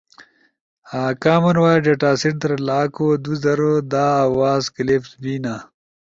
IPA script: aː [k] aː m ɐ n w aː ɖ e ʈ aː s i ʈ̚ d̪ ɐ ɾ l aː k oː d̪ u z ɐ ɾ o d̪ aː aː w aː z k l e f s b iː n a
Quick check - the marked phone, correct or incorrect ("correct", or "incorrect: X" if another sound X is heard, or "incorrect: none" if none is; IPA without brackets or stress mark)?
correct